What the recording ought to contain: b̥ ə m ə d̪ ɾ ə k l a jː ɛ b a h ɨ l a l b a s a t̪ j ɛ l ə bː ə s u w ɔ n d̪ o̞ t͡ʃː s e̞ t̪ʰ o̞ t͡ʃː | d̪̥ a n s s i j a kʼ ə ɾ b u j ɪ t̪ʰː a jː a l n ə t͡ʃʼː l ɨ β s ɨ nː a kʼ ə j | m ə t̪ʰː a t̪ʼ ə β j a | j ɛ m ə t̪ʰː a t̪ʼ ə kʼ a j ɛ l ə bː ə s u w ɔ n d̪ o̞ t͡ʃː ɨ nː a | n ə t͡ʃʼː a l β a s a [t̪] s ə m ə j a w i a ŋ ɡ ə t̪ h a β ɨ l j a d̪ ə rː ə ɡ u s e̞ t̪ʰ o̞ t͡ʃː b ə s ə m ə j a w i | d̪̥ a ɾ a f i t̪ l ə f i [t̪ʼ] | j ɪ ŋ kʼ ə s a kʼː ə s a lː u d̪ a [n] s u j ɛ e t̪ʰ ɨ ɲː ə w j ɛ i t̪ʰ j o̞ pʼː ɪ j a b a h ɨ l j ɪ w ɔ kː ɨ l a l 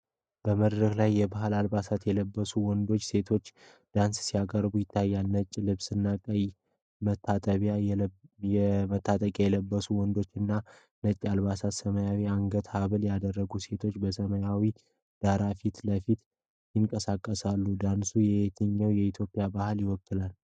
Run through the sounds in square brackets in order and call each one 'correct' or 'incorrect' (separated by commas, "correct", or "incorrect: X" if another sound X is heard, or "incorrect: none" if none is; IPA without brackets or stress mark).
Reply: correct, incorrect: t̪, correct